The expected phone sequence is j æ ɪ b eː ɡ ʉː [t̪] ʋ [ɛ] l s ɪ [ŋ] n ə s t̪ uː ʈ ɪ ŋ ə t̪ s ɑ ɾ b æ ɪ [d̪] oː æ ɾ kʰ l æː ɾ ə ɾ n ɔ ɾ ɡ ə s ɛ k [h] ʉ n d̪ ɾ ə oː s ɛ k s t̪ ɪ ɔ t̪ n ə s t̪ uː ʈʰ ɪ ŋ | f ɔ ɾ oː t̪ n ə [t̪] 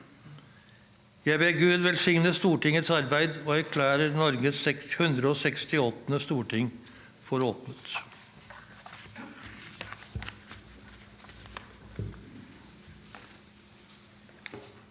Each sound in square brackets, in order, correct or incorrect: incorrect, correct, correct, correct, correct, correct

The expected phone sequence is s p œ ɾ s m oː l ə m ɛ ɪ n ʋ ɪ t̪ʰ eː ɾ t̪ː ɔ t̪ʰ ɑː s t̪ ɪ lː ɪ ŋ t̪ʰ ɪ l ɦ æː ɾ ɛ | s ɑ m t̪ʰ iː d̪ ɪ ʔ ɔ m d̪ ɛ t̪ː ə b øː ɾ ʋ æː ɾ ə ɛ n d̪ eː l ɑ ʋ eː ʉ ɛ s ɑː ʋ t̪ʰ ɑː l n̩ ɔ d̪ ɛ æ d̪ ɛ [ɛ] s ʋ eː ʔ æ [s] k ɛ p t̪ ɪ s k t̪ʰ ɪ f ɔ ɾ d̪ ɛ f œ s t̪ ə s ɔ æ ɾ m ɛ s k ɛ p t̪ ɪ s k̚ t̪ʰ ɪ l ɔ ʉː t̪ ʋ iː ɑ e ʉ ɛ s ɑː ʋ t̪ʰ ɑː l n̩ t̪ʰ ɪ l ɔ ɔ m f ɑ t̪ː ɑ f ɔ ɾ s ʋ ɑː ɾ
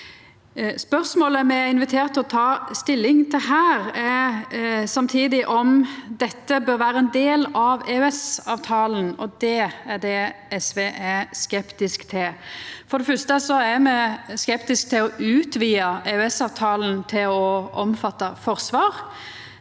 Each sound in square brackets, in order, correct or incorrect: correct, correct

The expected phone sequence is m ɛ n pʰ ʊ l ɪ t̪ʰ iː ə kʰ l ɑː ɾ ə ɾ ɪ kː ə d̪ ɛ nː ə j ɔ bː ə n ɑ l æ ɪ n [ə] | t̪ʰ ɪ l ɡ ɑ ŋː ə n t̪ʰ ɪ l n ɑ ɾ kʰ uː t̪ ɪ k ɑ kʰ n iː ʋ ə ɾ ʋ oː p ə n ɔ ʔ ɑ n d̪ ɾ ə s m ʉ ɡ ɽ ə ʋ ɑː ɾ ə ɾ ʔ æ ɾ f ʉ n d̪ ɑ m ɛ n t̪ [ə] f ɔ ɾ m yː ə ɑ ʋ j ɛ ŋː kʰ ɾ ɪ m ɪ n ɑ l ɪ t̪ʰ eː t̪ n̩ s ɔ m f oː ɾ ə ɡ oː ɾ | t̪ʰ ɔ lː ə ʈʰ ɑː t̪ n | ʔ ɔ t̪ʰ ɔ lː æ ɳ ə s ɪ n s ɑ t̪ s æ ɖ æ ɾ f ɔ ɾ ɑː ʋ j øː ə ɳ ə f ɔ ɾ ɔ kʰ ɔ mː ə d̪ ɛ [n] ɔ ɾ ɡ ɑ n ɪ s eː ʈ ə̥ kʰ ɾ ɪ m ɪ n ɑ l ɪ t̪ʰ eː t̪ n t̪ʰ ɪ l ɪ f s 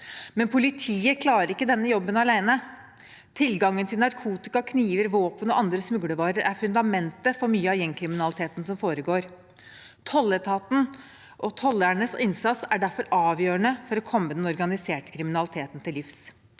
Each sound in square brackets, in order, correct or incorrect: correct, correct, correct

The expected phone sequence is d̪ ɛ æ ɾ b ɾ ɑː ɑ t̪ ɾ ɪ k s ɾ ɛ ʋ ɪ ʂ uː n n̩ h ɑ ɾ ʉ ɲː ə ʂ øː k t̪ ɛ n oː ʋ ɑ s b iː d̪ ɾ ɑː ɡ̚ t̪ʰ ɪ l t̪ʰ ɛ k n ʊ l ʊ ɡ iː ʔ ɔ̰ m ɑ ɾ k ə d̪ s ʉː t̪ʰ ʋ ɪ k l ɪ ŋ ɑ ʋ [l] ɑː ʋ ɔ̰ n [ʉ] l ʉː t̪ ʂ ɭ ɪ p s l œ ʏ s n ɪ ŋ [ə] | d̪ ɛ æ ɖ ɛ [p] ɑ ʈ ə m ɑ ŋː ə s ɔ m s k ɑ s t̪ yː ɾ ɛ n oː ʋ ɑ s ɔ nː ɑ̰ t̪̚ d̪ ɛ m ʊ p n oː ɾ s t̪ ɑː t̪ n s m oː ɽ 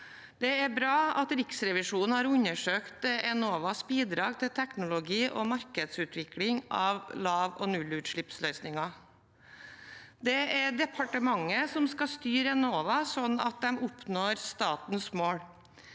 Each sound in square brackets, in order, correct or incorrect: correct, correct, incorrect, incorrect

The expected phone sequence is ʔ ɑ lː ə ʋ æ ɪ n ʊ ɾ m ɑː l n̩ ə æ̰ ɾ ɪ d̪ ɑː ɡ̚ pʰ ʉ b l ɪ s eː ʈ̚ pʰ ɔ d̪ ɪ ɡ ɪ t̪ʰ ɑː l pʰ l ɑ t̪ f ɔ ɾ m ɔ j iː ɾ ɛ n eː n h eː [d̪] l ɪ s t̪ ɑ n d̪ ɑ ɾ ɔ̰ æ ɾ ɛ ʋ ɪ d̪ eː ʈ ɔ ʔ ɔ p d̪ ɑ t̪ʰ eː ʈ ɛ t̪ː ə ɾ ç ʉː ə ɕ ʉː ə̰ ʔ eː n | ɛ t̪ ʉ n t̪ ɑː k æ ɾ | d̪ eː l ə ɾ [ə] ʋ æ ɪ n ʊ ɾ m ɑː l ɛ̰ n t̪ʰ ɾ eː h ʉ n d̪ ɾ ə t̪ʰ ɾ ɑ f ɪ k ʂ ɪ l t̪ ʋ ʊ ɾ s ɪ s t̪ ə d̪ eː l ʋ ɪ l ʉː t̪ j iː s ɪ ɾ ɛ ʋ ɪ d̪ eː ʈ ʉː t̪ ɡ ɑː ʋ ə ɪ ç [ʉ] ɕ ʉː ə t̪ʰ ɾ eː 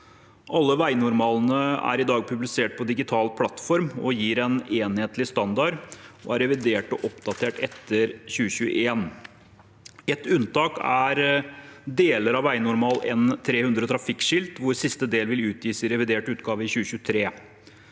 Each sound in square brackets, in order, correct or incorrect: incorrect, incorrect, incorrect

